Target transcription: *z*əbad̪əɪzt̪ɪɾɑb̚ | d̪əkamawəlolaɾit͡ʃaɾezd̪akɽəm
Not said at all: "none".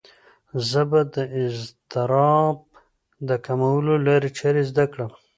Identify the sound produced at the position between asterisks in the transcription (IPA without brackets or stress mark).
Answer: z